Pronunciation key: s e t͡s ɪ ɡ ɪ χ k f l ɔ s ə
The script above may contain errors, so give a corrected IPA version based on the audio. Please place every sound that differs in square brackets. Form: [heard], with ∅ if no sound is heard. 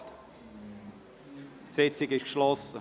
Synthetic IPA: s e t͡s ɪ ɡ ɪ [ʃ] k [ʃ] l ɔ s ə